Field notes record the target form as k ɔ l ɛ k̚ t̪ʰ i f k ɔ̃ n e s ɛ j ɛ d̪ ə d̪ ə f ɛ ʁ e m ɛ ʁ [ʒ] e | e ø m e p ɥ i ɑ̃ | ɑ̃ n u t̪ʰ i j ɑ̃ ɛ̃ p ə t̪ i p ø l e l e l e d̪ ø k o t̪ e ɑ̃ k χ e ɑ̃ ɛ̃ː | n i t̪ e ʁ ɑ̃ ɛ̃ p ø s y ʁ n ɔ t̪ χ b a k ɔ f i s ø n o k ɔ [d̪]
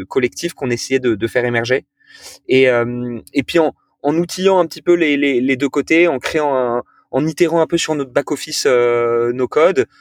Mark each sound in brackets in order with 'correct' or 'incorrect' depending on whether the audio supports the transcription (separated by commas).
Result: correct, correct